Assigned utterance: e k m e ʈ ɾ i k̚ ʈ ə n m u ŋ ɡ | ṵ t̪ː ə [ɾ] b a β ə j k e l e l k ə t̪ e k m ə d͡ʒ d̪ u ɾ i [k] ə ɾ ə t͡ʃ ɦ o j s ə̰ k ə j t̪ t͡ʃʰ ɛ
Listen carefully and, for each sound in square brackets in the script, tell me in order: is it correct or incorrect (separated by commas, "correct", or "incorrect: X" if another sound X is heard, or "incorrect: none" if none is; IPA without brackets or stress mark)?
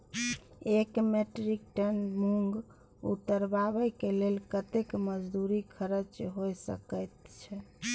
correct, incorrect: kʰ